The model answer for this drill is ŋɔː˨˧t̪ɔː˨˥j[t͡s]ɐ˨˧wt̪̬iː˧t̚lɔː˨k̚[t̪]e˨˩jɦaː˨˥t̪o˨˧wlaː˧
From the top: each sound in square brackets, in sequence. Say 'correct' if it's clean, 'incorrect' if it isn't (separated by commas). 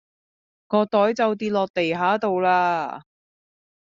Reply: correct, correct